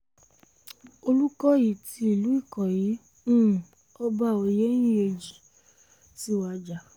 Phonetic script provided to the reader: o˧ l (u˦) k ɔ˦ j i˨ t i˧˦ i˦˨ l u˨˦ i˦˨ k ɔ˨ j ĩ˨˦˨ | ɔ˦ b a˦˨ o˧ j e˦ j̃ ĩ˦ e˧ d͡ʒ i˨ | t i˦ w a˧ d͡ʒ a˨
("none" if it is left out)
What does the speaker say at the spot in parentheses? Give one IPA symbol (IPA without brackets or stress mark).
u˦